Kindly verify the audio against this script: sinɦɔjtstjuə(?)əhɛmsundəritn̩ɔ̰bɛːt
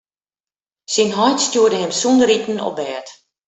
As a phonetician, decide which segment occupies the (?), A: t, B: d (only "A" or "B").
B